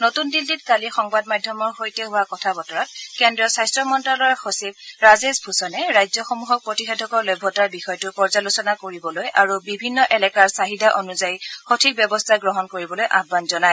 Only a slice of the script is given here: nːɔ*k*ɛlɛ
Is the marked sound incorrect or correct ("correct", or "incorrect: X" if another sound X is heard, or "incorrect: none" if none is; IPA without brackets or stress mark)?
incorrect: ʔ